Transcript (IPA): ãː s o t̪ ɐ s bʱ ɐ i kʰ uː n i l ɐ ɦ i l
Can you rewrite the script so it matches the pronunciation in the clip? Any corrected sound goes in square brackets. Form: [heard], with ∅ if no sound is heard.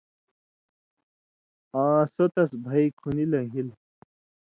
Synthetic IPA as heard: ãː s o t̪ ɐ s bʱ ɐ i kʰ [u] n i l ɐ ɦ i l